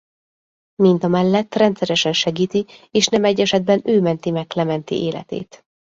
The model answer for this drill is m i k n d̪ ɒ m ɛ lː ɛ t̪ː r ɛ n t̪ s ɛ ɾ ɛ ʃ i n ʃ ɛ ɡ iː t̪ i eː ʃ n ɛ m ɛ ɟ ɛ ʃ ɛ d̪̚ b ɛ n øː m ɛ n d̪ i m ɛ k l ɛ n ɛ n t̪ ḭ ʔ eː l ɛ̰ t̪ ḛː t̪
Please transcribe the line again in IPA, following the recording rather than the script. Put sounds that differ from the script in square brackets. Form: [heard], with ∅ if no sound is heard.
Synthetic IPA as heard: m i [∅] n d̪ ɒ m ɛ lː ɛ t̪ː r ɛ n t̪ s ɛ ɾ ɛ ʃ [ɛ] n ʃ ɛ ɡ iː t̪ i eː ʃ n ɛ m ɛ [ɟː] ɛ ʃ ɛ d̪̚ b ɛ n øː m ɛ n [t̪] i m ɛ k l ɛ [m] ɛ n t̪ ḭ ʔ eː l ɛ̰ t̪ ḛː t̪